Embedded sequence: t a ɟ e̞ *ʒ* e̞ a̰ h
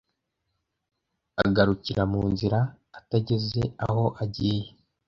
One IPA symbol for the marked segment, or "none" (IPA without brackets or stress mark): z